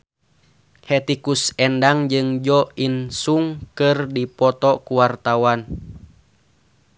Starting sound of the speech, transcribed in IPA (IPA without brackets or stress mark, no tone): h